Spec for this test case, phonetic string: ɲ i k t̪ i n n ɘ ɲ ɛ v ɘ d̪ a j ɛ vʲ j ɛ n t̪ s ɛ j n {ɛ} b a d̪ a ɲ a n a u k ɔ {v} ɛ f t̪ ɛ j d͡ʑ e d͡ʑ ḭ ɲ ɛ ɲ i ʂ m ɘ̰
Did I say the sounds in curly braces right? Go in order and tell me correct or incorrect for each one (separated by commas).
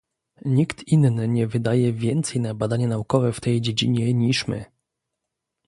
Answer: incorrect, correct